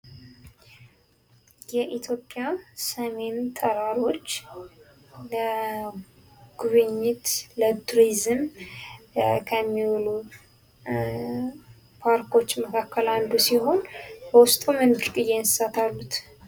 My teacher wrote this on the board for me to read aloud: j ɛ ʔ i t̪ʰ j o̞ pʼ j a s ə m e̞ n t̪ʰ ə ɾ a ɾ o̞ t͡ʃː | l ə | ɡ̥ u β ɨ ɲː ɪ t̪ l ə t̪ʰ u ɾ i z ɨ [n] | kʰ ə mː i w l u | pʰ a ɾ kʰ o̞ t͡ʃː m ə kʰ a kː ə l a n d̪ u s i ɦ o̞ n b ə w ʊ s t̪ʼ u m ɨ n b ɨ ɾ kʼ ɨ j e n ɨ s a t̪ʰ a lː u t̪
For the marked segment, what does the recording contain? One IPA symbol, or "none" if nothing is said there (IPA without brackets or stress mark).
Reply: m